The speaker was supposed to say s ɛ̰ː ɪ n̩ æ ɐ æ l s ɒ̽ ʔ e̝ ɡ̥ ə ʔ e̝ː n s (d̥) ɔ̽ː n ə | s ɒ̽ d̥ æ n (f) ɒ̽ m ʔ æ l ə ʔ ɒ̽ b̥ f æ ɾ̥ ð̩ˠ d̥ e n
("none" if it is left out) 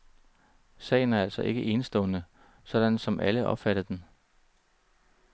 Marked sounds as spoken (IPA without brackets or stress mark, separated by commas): d̥, s